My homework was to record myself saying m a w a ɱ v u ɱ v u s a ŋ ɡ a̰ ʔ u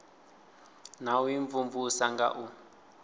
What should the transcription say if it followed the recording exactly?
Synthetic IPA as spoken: n a w i ɱ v u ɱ v u s a ŋ ɡ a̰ ʔ u